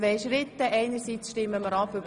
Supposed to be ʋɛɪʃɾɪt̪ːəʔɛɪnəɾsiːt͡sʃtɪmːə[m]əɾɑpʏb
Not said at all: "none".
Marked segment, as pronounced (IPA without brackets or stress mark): m